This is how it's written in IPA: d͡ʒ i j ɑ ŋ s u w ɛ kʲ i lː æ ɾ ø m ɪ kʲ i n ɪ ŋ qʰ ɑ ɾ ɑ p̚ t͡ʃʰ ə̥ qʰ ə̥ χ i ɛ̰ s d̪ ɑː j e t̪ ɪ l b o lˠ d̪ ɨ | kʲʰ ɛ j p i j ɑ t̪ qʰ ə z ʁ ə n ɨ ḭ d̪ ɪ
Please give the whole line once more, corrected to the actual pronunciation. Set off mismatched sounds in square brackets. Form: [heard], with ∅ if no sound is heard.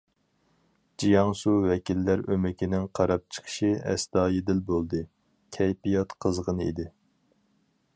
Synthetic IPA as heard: d͡ʒ i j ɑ ŋ s u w ɛ kʲ i lː æ ɾ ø m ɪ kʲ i n ɪ ŋ qʰ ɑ ɾ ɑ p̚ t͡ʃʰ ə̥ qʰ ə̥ [ʃ] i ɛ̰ s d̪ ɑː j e [d̪] ɪ l b o lˠ d̪ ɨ | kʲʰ ɛ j p i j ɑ t̪ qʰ ə z ʁ ə n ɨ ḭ d̪ ɪ